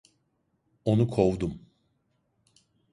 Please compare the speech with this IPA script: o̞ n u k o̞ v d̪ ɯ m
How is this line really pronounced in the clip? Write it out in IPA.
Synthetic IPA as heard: o̞ n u kʰ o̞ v d̪ u m